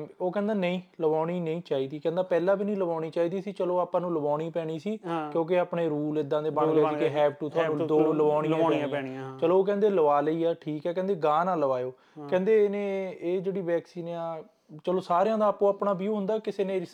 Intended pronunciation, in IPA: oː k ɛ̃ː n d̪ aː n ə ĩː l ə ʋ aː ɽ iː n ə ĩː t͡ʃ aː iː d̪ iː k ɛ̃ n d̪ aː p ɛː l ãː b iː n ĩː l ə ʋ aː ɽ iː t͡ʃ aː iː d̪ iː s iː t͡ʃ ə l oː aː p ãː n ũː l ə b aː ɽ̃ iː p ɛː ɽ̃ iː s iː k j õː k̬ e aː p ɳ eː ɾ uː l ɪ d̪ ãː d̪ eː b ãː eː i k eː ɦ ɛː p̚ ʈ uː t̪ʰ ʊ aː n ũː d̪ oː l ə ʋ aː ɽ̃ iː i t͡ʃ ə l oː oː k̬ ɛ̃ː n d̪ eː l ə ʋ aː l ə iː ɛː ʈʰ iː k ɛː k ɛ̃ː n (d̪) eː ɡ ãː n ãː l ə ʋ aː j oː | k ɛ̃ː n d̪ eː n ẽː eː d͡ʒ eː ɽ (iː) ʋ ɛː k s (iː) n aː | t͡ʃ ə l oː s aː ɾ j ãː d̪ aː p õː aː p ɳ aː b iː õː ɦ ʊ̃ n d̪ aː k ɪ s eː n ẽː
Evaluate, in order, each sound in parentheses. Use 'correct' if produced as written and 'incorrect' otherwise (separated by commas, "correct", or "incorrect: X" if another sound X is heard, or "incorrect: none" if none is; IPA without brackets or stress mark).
correct, correct, correct